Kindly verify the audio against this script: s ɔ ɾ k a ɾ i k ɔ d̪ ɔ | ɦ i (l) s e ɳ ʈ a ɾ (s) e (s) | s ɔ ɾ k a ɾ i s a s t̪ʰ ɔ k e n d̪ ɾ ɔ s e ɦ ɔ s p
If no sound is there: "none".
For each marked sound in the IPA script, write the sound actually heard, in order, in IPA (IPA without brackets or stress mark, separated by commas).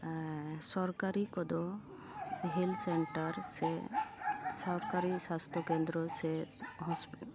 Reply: l, s, none